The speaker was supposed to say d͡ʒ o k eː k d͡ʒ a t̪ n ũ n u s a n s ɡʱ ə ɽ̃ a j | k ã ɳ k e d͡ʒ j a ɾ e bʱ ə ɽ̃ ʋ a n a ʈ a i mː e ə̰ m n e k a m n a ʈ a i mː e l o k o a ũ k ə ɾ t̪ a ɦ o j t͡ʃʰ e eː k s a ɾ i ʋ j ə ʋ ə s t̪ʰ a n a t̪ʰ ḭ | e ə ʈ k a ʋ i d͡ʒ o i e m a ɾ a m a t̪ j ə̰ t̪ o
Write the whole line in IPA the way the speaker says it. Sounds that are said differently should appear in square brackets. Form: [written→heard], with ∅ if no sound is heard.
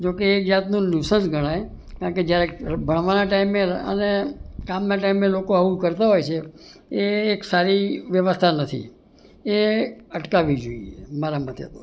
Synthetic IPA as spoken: d͡ʒ o k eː k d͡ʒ a t̪ n ũ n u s [a→ə] n s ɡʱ ə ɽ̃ a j | k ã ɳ k e d͡ʒ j a ɾ e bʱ ə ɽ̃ ʋ a n a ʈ a i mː e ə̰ [m→∅] n e k a m n a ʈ a i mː e l o k o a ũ k ə ɾ t̪ a ɦ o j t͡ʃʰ e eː k s a ɾ i ʋ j ə ʋ ə s t̪ʰ a n [a→ə] t̪ʰ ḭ | e ə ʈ k a ʋ i d͡ʒ o i e m a ɾ a m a t̪ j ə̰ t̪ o